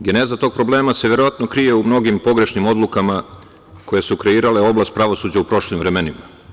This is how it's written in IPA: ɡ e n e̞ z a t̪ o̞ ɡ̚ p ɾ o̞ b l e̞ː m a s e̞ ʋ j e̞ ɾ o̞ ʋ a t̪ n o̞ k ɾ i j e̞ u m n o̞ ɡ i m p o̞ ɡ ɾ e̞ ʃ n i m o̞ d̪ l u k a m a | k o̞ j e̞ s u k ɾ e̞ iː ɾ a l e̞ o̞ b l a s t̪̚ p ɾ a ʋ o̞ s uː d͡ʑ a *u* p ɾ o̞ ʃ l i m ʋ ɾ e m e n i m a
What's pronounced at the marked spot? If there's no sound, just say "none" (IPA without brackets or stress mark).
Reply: u